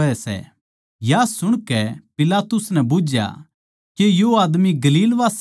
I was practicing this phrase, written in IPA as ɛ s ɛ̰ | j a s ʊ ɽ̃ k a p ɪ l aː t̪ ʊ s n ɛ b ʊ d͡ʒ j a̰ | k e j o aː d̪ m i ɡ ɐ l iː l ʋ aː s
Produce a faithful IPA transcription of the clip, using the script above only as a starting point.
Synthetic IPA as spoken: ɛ s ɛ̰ | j a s ʊ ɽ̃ k ɛ p ɪ l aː t̪ ʊ s n ɛ b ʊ d͡ʒ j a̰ | k e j o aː d̪ m i ɡ ɐ l iː l ʋ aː s